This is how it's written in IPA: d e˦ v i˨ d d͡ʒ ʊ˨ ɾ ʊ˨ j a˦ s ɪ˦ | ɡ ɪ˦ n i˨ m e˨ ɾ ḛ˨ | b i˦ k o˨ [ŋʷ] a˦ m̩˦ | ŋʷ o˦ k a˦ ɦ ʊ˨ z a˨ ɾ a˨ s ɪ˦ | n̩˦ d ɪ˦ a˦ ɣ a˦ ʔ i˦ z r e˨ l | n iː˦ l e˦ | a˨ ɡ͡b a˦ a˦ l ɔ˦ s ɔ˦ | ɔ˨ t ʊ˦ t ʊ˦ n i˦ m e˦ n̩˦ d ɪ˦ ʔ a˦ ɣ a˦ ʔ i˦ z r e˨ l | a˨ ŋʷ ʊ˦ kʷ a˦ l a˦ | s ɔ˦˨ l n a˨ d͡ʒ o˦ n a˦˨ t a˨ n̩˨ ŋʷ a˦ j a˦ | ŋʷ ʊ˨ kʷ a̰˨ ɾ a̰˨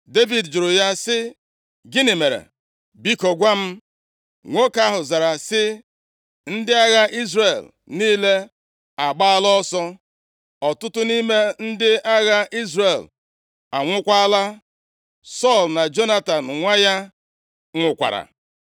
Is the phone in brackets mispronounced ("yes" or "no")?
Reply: yes